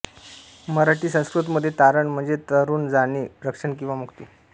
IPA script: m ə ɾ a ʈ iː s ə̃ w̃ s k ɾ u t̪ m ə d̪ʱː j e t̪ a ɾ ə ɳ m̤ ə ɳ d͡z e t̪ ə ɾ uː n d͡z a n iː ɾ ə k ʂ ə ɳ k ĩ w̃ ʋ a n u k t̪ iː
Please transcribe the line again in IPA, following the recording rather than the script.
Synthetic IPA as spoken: m ə ɾ a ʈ iː s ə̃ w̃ s k ɾ u t̪ m ə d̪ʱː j e t̪ a ɾ ə ɳ m̤ ə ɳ d͡z e t̪ ə ɾ uː n d͡z a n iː ɾ ə k ʂ ə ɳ k ĩ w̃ ʋ a m u k t̪ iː